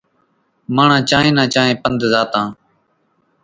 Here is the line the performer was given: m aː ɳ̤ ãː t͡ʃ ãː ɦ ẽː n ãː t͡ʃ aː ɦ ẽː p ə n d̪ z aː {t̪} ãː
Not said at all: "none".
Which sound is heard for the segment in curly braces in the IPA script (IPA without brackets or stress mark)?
t̪